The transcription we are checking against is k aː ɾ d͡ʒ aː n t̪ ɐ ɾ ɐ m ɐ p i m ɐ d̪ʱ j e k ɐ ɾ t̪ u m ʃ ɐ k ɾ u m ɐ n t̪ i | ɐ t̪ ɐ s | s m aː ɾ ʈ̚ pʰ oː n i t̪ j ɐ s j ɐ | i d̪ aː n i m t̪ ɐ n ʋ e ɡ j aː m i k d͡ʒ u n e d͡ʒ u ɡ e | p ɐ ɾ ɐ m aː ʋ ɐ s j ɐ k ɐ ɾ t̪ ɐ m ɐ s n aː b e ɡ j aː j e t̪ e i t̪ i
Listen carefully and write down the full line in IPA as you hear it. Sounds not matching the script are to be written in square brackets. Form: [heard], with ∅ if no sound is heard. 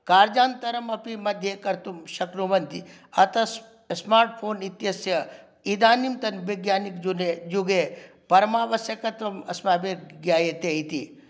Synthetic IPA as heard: k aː ɾ d͡ʒ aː n t̪ ɐ ɾ ɐ m ɐ p i m ɐ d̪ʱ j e k ɐ ɾ t̪ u m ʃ ɐ k ɾ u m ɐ n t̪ i | ɐ t̪ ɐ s | s m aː ɾ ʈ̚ pʰ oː n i t̪ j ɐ s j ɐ | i d̪ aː n i m t̪ ɐ n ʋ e ɡ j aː [n] i k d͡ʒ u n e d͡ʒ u ɡ e | p ɐ ɾ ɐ m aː ʋ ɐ s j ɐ k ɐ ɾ t̪ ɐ m ɐ s [m] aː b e ɡ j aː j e t̪ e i t̪ i